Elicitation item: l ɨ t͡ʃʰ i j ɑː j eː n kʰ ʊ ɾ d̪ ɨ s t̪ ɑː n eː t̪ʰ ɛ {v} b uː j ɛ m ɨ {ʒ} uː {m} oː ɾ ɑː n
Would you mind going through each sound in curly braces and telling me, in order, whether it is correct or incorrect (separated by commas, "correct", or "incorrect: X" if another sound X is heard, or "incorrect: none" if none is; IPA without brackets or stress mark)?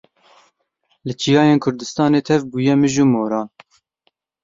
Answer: correct, correct, correct